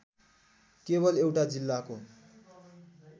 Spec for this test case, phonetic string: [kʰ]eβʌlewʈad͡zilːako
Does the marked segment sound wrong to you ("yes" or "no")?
yes